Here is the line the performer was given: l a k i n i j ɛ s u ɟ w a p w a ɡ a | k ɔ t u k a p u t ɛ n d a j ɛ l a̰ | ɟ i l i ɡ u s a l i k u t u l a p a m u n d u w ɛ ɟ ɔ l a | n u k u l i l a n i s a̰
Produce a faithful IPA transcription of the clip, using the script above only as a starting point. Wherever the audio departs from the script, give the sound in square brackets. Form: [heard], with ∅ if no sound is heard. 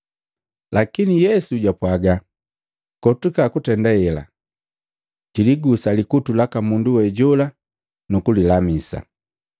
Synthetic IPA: l a k i n i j ɛ s u ɟ w a p w a ɡ a | k ɔ t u k a [k] u t ɛ n d a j ɛ l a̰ | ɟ i l i ɡ u s a l i k u t u l a [k] a m u n d u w ɛ ɟ ɔ l a | n u k u l i l a [m] i s a̰

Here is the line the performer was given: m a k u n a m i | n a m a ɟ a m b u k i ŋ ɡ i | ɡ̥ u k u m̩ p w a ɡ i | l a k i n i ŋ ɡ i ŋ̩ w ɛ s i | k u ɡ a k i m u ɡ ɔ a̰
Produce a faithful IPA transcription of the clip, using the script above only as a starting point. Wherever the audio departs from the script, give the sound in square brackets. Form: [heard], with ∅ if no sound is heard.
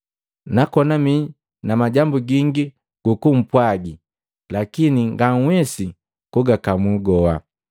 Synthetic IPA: [n] a k [ɔ] n a m i | n a m a ɟ a m b u [ɡ] i ŋ ɡ i | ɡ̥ u k u m̩ p w a ɡ i | l a k i n i ŋ ɡ [a] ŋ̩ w ɛ s i | k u ɡ a k [a] m u ɡ ɔ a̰

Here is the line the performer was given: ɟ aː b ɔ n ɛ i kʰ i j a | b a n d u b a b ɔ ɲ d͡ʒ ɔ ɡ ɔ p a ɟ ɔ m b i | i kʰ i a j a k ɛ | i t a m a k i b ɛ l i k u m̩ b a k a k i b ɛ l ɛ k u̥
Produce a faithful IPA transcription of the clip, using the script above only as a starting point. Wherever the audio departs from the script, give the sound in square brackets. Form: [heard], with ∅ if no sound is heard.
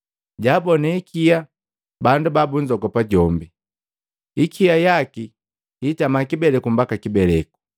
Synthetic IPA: ɟ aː b ɔ n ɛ i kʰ i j a | b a n d u b a b [u] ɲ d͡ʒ ɔ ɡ ɔ p a ɟ ɔ m b i | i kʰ i a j a k [i] | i t a m a k i b ɛ l [ɛ] k u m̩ b a k a k i b ɛ l ɛ k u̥

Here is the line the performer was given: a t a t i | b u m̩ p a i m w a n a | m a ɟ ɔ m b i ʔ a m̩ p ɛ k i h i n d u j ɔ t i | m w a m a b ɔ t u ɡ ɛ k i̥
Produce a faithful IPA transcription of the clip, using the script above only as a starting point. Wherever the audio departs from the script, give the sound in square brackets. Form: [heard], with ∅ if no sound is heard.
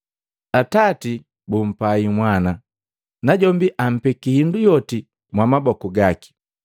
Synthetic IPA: a t a t i | b u m̩ p a i m w a n a | [n] a ɟ ɔ m b i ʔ a m̩ p ɛ k i h i n d u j ɔ t i | m w a m a b ɔ [k] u ɡ [a] k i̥

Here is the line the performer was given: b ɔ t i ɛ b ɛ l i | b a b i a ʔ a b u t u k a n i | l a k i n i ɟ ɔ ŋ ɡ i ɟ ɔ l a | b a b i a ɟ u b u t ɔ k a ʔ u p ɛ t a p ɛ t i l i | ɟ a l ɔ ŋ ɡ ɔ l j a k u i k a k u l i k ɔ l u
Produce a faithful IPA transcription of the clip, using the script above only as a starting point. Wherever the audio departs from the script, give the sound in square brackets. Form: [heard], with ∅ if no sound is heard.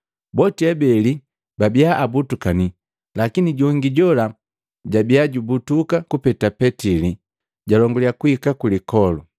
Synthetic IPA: b ɔ t i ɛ b ɛ l i | b a b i a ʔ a b u t u k a n i | l a k i n i ɟ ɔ ŋ ɡ i ɟ ɔ l a | [ɟ] a b i a ɟ u b u t [u] k a [k] u p ɛ t a p ɛ t i l i | ɟ a l ɔ ŋ ɡ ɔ l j a k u i k a k u l i k ɔ l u

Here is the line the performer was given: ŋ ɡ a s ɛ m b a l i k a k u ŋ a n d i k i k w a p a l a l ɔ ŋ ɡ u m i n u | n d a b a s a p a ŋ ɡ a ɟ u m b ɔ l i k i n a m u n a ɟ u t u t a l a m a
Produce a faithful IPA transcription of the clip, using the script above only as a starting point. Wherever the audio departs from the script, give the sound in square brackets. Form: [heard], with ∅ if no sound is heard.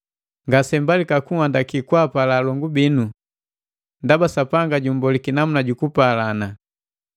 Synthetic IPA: ŋ ɡ a s ɛ m b a l i k a k u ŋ a n d [a] k i k w a p a l a l ɔ ŋ ɡ u [b] i n u | n d a b a s a p a ŋ ɡ a ɟ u m b ɔ l i k i n a m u n a ɟ u [k] u [p] a l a [n] a

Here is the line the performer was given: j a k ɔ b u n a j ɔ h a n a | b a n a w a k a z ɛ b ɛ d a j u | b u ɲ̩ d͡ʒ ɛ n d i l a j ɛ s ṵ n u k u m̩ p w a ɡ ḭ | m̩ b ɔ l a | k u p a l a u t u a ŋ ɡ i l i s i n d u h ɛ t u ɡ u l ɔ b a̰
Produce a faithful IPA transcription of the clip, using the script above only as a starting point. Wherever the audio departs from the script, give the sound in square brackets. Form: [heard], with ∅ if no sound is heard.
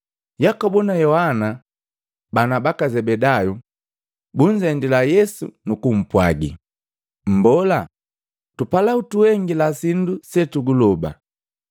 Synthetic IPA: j a k ɔ b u n a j ɔ h a n a | b a n a [b] a k a z ɛ b ɛ d a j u | b u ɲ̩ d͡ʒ ɛ n d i l a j ɛ s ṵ n u k u m̩ p w a ɡ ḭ | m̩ b ɔ l a | [t] u p a l a u t u [ɛ] ŋ ɡ i l [a] s i n d u [s] ɛ t u ɡ u l ɔ b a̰

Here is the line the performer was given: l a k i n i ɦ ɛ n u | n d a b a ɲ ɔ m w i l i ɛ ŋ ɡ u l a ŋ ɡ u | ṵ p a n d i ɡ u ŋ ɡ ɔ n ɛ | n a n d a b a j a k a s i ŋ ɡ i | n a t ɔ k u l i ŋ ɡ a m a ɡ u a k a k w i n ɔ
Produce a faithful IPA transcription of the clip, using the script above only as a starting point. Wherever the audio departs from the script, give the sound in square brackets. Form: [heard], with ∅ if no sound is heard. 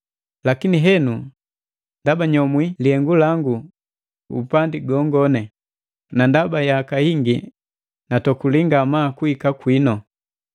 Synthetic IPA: l a k i n i ɦ ɛ n u | n d a b a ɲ ɔ m w i l i ɛ ŋ ɡ u l a ŋ ɡ u | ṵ p a n d i ɡ [ɔ] ŋ ɡ ɔ n ɛ | n a n d a b a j a k a [h] i ŋ ɡ i | n a t ɔ k u l i ŋ ɡ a m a [k] u [i] k a k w i n ɔ

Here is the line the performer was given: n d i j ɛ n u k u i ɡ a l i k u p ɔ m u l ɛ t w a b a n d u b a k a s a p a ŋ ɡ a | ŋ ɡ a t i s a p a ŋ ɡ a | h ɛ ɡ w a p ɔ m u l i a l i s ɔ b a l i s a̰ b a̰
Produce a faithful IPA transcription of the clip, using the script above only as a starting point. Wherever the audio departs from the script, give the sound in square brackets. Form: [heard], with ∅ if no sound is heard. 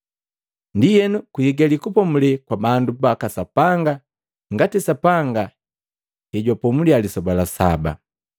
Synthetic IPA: n d i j ɛ n u k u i ɡ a l i k u p ɔ m u l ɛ [k] w a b a n d u b a k a s a p a ŋ ɡ a | ŋ ɡ a t i s a p a ŋ ɡ a | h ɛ [ɟ] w a p ɔ m u l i a l i s ɔ b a l [a] s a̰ b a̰

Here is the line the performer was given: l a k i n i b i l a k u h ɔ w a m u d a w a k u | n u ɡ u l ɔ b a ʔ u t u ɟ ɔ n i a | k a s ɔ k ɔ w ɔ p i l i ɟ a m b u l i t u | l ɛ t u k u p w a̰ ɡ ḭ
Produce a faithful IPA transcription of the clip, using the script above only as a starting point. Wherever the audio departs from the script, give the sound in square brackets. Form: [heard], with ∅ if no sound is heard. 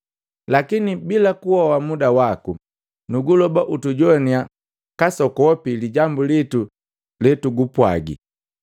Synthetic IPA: l a k i n i b i l a k u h ɔ w a m u d a w a k u | n u ɡ u l ɔ b a ʔ u t u ɟ ɔ n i a | k a s ɔ k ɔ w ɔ p i l i ɟ a m b u l i t u | l ɛ t u [ɡ] u p w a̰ ɡ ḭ

